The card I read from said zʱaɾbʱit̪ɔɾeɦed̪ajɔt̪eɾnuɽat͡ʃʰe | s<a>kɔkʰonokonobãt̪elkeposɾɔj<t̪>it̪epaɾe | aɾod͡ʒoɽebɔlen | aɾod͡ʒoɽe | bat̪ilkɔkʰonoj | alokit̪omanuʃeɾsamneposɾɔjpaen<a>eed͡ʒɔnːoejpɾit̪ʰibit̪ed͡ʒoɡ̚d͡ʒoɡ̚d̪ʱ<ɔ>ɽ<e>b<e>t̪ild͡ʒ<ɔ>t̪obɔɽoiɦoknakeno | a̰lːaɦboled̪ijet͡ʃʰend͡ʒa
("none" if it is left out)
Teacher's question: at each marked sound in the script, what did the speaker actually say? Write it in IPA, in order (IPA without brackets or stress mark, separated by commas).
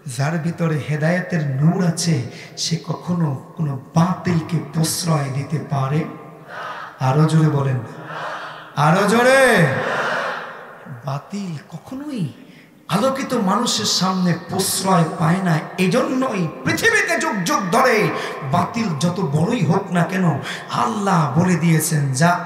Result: e, d̪, a, ɔ, e, a, ɔ